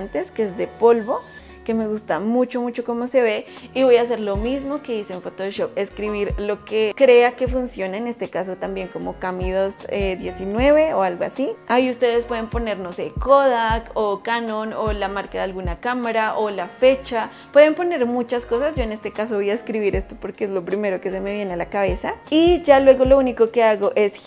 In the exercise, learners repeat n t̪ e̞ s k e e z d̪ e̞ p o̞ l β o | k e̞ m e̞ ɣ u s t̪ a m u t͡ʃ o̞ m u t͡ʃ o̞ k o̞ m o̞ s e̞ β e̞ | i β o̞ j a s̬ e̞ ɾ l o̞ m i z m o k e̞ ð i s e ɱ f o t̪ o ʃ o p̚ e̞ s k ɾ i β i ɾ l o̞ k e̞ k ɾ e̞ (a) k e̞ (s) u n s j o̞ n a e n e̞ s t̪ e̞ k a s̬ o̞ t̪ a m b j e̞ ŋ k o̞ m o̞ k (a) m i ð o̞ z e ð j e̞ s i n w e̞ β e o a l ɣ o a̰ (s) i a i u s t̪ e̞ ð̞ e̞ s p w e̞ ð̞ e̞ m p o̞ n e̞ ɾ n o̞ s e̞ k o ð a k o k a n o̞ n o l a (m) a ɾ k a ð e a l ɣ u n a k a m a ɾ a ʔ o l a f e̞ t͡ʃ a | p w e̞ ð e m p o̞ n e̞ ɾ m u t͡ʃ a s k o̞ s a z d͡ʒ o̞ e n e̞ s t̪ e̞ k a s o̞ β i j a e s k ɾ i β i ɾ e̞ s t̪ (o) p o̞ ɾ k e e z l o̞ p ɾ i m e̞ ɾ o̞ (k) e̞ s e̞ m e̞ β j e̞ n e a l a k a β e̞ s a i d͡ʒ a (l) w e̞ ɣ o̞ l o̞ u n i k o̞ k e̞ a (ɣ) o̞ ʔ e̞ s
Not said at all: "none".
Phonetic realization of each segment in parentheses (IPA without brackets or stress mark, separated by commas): a, f, a, s, m, o, k, l, ɣ